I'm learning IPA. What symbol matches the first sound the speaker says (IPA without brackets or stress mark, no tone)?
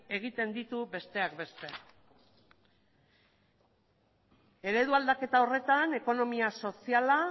e̞